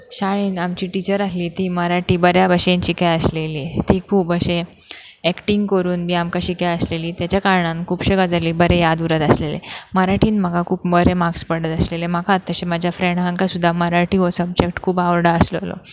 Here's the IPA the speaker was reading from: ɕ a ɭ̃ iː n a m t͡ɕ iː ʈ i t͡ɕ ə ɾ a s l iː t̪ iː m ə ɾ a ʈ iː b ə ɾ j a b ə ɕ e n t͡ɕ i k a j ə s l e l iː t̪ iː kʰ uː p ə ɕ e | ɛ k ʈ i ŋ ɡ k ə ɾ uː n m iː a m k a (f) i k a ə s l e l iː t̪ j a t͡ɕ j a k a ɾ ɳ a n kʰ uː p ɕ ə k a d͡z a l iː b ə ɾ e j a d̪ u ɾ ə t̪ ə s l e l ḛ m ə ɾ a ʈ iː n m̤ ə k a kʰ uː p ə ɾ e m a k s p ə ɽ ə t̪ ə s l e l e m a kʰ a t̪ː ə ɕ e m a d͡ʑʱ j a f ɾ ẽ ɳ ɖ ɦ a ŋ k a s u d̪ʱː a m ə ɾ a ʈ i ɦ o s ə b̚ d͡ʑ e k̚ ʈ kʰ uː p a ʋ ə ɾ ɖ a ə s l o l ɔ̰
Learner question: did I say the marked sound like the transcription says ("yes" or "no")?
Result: no